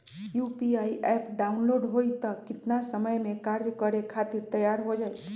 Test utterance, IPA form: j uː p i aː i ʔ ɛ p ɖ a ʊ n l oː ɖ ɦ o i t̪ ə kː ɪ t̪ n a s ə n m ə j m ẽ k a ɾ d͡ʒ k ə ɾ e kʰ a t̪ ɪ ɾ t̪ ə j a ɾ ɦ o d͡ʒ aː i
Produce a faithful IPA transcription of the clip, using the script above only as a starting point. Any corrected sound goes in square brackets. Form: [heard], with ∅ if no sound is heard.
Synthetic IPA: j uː p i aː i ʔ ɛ p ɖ a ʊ n l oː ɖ ɦ o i t̪ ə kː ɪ t̪ n a s ə [∅] m ə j m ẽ k a ɾ d͡ʒ k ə ɾ e kʰ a t̪ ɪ ɾ t̪ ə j a ɾ ɦ o d͡ʒ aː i

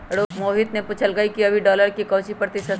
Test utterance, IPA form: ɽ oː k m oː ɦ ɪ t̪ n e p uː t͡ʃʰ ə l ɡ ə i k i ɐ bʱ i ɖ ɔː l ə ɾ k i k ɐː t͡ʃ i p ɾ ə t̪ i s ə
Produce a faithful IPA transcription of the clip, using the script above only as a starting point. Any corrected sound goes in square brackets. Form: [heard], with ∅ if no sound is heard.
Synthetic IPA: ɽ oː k m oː ɦ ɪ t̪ n e p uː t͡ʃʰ ə l ɡ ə i k i ɐ bʱ i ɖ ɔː l ə ɾ k i k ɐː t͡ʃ i p ɾ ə t̪ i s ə

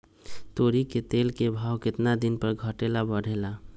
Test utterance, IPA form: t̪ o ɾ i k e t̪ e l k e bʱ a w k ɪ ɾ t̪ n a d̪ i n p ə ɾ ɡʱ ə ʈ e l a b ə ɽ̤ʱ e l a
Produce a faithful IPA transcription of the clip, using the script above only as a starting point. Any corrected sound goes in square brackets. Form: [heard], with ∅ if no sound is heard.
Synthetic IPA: t̪ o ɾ i k e t̪ e l k e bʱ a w k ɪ [∅] t̪ n a d̪ i n p ə ɾ ɡʱ ə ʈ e l a b ə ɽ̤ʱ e l a

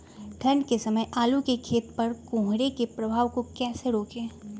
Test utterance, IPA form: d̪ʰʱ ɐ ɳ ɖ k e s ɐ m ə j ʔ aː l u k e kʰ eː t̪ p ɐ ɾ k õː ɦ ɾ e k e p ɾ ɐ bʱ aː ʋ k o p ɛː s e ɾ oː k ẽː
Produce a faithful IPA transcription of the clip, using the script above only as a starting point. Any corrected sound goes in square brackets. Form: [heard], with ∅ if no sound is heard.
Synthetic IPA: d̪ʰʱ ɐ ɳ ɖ k e s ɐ m ə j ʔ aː l u k e kʰ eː t̪ p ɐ ɾ k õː ɦ ɾ e k e p ɾ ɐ bʱ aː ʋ k o [k] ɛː s e ɾ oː k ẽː

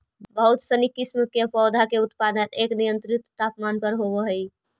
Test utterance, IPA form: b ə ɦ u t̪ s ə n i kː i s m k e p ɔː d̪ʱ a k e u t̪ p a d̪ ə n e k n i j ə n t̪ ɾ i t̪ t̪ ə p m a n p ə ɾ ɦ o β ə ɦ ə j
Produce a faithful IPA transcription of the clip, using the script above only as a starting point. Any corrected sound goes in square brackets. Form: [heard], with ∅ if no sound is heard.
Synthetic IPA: b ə ɦ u t̪ s ə n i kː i s m k e p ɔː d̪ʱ a k e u t̪ p a d̪ ə n e k n i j ə n t̪ ɾ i t̪ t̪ [a] p m a n p ə ɾ ɦ o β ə ɦ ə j

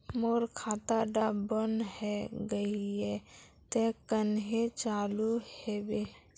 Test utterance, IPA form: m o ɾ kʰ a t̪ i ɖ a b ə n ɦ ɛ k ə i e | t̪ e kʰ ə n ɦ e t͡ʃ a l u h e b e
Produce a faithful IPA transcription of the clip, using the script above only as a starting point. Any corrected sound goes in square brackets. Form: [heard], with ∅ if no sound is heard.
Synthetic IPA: m o ɾ kʰ a t̪ [a] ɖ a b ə n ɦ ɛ [ɡ] ə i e | t̪ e [k] ə n ɦ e t͡ʃ a l u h e b e

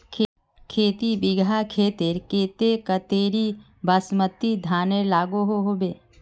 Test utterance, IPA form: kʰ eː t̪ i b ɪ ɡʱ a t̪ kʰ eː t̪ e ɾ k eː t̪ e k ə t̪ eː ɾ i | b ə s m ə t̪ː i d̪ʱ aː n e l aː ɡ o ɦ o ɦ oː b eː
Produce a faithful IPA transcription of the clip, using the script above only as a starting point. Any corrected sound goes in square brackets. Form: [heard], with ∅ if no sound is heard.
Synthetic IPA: kʰ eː t̪ i b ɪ ɡʱ a [∅] kʰ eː t̪ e ɾ k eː t̪ e k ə t̪ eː ɾ i | b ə s m ə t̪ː i d̪ʱ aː n e l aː ɡ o ɦ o ɦ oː b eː

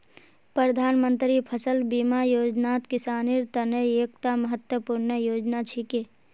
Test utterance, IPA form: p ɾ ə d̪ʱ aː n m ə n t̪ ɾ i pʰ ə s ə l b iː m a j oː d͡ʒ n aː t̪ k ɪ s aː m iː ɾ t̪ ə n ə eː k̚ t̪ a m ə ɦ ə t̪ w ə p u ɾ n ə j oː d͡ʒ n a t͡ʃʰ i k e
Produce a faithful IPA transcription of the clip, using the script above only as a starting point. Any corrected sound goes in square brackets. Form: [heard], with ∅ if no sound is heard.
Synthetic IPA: p ɾ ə d̪ʱ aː n m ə n t̪ ɾ i pʰ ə s ə l b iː m a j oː d͡ʒ n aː t̪ k ɪ s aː [n] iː ɾ t̪ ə n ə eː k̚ t̪ a m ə ɦ ə t̪ w ə p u ɾ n ə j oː d͡ʒ n a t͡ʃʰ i k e

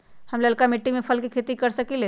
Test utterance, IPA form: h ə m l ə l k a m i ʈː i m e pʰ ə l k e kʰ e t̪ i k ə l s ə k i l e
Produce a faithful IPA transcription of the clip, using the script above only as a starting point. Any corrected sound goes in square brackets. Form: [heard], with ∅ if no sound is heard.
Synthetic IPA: h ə m l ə l k a m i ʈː i m e pʰ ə l k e kʰ e t̪ i k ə [ɾ] s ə k i l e

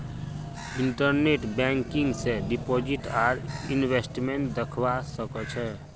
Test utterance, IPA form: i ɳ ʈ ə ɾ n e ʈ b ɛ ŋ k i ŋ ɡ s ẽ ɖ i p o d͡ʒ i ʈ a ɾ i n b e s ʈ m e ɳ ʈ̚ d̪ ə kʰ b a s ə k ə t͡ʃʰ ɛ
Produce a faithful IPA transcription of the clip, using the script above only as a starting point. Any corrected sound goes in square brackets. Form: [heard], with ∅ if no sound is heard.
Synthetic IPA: i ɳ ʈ ə ɾ n e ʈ b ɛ ŋ k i ŋ ɡ s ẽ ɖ i p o d͡ʒ i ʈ a ɾ i n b e s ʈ m e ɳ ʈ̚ d̪ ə kʰ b a s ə k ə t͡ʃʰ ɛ

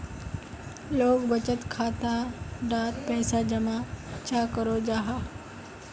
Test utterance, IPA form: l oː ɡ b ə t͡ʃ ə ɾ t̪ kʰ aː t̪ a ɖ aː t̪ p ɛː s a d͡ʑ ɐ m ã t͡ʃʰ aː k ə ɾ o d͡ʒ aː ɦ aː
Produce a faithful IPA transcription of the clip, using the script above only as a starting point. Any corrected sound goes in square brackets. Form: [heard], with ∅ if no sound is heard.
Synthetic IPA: l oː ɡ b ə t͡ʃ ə [∅] t̪ kʰ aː t̪ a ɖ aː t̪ p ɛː s a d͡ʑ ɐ m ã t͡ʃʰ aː k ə ɾ o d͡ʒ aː ɦ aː

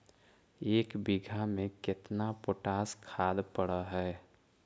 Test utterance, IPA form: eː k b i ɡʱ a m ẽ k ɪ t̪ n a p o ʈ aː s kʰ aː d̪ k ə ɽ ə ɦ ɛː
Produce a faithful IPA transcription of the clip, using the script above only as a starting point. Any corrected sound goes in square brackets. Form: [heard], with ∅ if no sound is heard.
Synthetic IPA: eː k b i ɡʱ a m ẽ k ɪ t̪ n a p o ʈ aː s kʰ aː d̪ [p] ə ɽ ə ɦ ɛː

